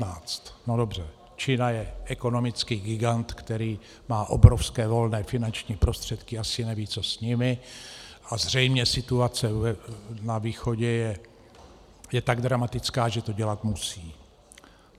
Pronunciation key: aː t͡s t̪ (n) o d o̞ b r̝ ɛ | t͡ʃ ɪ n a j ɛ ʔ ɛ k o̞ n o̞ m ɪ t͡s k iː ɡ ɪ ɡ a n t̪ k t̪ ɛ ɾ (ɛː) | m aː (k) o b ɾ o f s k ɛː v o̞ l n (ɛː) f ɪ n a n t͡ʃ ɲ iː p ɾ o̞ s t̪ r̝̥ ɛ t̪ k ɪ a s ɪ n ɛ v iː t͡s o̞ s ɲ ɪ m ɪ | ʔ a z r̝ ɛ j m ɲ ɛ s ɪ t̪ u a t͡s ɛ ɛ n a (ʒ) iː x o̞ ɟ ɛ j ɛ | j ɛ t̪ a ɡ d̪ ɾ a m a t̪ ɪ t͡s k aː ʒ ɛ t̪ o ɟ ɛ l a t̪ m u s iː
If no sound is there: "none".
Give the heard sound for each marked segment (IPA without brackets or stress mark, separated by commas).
n, iː, ʔ, ɛː, v